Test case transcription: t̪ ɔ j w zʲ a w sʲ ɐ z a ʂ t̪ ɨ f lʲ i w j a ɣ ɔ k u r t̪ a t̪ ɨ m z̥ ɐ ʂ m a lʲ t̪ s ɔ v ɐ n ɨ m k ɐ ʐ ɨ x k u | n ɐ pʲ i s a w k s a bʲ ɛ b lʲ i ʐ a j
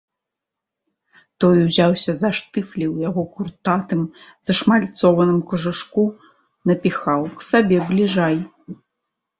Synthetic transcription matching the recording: t̪ ɔ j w zʲ a w sʲ ɐ z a ʂ t̪ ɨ f lʲ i w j a ɣ ɔ k u r t̪ a t̪ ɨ m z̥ ɐ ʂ m a lʲ t̪ s ɔ v ɐ n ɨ m k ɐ ʐ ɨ ʂ k u | n ɐ pʲ i x a w k s a bʲ ɛ b lʲ i ʐ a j

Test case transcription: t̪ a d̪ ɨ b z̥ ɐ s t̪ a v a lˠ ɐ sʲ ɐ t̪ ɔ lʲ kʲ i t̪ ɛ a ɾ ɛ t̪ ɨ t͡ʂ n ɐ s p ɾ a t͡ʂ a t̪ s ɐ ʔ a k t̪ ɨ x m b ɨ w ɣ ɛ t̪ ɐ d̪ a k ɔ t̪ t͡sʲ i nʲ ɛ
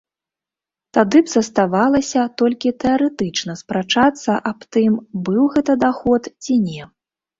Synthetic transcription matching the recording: t̪ a d̪ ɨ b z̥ ɐ s t̪ a v a lˠ ɐ sʲ ɐ t̪ ɔ lʲ kʲ i t̪ ɛ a ɾ ɛ t̪ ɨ t͡ʂ n ɐ s p ɾ a t͡ʂ a t̪ sː ɐ ʔ a p t̪ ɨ m b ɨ w ɣ ɛ t̪ ɐ d̪ a x ɔ t̪ t͡sʲ i nʲ ɛ

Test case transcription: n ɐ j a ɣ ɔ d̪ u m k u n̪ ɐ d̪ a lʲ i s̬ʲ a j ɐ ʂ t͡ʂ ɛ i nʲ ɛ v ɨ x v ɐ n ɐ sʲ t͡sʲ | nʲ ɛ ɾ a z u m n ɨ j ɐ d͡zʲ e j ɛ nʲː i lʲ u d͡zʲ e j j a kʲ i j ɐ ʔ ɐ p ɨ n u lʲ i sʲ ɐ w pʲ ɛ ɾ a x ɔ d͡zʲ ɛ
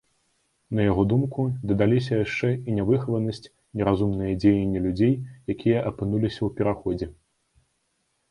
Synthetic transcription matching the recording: n ɐ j a ɣ ɔ d̪ u m k u d̪ ɐ d̪ a lʲ i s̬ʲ ɐ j a ʂ t͡ʂ ɛ i nʲ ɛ v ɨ x v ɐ n ɐ sʲ t͡sʲ | nʲ ɛ ɾ a z u m n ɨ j ɐ d͡zʲ e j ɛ nʲː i lʲ u d͡zʲ e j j a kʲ i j ɐ ʔ ɐ p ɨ n u lʲ i sʲ ɐ w pʲ ɛ ɾ a x ɔ d͡zʲ ɛ

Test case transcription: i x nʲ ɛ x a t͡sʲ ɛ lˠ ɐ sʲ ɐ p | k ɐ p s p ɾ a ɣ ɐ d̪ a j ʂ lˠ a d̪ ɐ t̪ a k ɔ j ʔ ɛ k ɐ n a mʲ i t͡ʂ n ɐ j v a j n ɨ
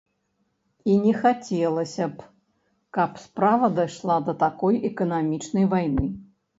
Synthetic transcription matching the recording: i nʲ ɛ x a t͡sʲ ɛ lˠ ɐ sʲ ɐ p | k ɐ p s p ɾ a v ɐ d̪ a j ʂ lˠ a d̪ ɐ t̪ a k ɔ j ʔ ɛ k ɐ n a mʲ i t͡ʂ n ɐ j v a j n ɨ

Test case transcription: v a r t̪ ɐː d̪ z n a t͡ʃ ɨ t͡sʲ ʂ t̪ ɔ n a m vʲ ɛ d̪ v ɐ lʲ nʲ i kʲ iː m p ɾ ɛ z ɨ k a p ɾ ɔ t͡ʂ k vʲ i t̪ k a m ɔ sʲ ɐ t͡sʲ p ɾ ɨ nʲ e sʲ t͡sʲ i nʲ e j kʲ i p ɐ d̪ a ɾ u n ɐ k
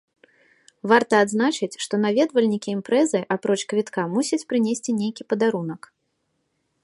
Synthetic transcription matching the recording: v a r t̪ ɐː d̪ z n a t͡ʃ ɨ t͡sʲ ʂ t̪ ɔ n a vʲ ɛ d̪ v ɐ lʲ nʲ i kʲ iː m p ɾ ɛ z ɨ ʔ a p ɾ ɔ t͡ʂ k vʲ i t̪ k a m u sʲ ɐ t͡sʲ p ɾ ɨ nʲ e sʲ t͡sʲ i nʲ e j kʲ i p ɐ d̪ a ɾ u n ɐ k

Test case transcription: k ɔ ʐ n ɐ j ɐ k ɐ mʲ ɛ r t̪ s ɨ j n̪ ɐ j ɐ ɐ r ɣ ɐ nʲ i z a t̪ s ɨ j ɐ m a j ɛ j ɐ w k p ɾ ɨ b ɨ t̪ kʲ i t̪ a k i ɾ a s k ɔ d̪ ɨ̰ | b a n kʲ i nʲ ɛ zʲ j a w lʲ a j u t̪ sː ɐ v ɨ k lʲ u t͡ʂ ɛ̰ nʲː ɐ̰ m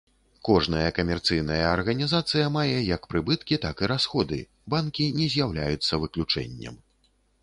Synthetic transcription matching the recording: k ɔ ʐ n ɐ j ɐ k ɐ mʲ ɛ r t̪ s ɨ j n̪ ɐ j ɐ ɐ r ɣ ɐ nʲ i z a t̪ s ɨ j ɐ m a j ɛ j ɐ k p ɾ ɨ b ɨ t̪ kʲ i t̪ a k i ɾ a s x ɔ d̪ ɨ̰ | b a n kʲ i nʲ ɛ zʲ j a w lʲ a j u t̪ sː ɐ v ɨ k lʲ u t͡ʂ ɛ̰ nʲː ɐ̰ m

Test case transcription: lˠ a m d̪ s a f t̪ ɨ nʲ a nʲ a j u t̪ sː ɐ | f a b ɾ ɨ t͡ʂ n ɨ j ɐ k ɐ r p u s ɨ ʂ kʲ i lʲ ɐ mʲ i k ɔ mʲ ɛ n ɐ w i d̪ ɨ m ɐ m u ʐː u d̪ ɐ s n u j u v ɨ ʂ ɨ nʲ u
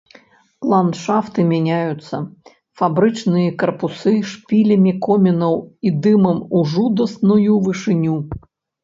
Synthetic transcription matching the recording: lˠ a n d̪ ʂ a f t̪ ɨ mʲ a nʲ a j u t̪ sː ɐ | f a b ɾ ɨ t͡ʂ n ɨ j ɐ k ɐ r p u s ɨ ʂ pʲ i lʲ ɐ mʲ i k ɔ mʲ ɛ n ɐ w i d̪ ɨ m ɐ m u ʐ u d̪ ɐ s n u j u v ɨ ʂ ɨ nʲ u

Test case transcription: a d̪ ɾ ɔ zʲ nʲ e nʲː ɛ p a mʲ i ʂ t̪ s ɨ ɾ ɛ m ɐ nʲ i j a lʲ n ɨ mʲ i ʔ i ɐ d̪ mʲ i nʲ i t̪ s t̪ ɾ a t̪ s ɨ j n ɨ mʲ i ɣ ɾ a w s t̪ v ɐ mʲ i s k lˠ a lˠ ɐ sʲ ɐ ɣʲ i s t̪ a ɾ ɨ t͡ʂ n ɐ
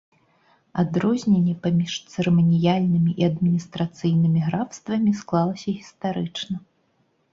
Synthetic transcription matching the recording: a d̪ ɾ ɔ zʲ nʲ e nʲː ɛ p a mʲ i ʂ t̪ s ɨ ɾ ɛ m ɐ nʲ i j a lʲ n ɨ mʲ i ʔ i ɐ d̪ mʲ i nʲ i s t̪ ɾ a t̪ s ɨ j n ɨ mʲ i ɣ ɾ a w s t̪ v ɐ mʲ i s k lˠ a lˠ ɐ sʲ ɐ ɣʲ i s t̪ a ɾ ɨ t͡ʂ n ɐ

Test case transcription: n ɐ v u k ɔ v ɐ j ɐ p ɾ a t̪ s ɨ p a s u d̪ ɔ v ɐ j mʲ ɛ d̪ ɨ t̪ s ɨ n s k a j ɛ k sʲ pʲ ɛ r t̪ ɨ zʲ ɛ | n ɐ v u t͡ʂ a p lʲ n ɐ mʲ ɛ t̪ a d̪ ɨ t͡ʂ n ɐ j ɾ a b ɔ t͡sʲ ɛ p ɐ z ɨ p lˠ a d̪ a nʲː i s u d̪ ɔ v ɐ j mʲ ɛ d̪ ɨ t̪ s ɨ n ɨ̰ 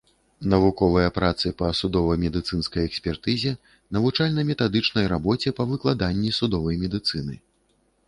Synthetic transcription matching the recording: n ɐ v u k ɔ v ɐ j ɐ p ɾ a t̪ s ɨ p ɐ s u d̪ ɔ v ɐ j mʲ ɛ d̪ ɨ t̪ s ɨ n s k ɐ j ɛ k sʲ pʲ ɛ r t̪ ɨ zʲ ɛ | n ɐ v u t͡ʂ a lʲ n ɐ mʲ ɛ t̪ a d̪ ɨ t͡ʂ n ɐ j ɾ a b ɔ t͡sʲ ɛ p ɐ v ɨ k lˠ a d̪ a nʲː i s u d̪ ɔ v ɐ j mʲ ɛ d̪ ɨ t̪ s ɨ n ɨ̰

